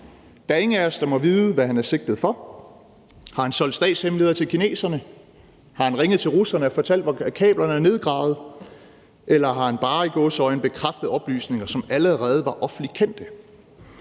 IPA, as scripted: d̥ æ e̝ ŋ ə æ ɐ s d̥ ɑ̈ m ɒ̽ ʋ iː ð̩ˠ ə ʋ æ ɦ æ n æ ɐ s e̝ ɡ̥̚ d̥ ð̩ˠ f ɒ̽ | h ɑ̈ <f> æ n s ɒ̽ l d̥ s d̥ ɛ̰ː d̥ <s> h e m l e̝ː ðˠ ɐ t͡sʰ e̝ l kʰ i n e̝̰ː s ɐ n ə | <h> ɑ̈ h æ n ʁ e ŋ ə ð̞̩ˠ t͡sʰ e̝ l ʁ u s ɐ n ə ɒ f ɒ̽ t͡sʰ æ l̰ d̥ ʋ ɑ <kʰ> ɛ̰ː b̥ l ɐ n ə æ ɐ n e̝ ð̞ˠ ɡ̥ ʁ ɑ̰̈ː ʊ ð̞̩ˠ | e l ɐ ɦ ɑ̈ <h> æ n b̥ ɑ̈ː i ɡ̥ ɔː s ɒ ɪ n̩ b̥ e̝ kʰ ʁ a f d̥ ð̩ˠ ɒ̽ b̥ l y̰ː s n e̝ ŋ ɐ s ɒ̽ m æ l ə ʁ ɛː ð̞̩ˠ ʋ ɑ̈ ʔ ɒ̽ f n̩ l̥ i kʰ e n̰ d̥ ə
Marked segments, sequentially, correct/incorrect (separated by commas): incorrect, correct, correct, correct, correct